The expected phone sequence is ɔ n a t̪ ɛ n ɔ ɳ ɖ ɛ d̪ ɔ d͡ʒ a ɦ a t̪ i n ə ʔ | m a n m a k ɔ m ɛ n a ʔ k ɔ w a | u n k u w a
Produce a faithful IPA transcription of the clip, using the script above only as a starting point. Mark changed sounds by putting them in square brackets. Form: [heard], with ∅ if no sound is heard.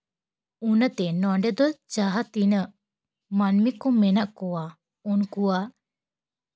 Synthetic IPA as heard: [u] n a t̪ ɛ n ɔ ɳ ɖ ɛ d̪ ɔ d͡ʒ a ɦ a t̪ i n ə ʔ | m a n m [i] k ɔ m ɛ n a ʔ k ɔ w a | u n k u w a